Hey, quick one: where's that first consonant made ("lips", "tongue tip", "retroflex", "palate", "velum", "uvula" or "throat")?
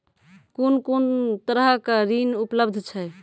velum